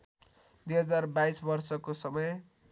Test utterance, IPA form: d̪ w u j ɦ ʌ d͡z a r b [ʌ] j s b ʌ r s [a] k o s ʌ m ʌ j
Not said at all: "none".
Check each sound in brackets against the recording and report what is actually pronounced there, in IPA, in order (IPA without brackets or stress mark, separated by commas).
a, ʌ